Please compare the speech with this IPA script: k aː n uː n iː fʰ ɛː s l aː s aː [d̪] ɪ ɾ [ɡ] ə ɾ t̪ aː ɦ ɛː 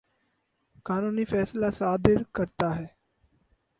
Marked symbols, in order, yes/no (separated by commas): yes, no